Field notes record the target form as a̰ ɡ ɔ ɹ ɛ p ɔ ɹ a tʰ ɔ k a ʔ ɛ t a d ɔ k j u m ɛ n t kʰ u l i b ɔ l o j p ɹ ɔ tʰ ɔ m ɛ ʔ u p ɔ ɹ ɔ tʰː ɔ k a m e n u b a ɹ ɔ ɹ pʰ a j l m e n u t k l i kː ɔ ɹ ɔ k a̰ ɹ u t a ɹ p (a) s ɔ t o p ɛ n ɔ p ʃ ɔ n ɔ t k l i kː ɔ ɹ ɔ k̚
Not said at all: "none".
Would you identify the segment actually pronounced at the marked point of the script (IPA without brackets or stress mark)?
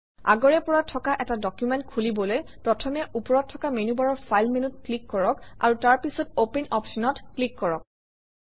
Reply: i